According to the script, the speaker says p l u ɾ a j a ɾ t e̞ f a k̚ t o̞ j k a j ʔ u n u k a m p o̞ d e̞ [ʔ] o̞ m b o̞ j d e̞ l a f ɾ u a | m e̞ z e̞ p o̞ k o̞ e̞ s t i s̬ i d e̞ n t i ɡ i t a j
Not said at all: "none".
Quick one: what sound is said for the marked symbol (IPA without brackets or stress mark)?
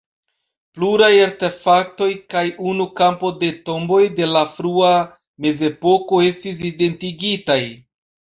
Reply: t